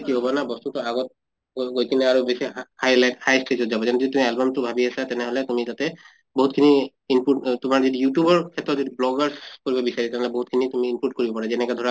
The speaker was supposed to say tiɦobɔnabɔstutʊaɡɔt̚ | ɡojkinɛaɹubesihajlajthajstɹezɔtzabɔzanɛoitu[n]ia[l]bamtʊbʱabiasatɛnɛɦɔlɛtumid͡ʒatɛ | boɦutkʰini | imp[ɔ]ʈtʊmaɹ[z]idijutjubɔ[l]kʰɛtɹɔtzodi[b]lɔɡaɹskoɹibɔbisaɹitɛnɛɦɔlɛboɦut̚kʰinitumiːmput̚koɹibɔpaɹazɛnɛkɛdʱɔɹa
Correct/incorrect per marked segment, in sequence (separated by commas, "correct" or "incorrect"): incorrect, correct, incorrect, correct, incorrect, correct